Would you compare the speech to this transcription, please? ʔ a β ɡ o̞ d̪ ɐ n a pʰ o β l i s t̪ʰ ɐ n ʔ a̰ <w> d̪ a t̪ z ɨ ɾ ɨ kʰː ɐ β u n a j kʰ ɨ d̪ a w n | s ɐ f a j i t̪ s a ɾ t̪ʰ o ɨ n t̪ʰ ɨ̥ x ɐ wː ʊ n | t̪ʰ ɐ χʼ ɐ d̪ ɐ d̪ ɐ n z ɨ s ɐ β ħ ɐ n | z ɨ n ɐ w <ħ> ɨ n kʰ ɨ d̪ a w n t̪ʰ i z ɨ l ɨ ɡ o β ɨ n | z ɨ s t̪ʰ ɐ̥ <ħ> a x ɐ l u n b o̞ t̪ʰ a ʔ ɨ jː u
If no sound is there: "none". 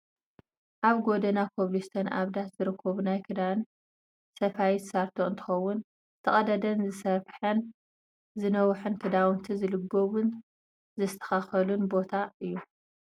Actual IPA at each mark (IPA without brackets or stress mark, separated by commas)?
β, ħ, x